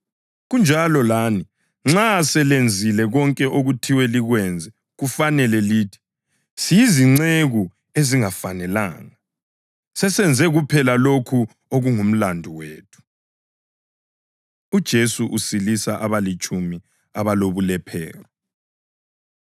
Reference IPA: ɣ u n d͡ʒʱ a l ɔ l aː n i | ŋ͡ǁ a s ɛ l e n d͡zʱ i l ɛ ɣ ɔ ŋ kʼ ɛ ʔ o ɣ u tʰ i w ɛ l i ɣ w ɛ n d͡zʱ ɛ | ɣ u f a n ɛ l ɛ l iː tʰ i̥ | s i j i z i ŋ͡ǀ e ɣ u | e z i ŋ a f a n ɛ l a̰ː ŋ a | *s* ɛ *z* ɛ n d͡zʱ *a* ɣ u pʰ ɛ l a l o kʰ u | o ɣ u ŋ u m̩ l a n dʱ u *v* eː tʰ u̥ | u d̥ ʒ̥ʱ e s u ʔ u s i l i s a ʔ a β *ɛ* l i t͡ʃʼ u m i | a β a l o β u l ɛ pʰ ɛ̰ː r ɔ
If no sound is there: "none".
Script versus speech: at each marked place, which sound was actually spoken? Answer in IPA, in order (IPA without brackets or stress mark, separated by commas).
s, s, ɛ, w, a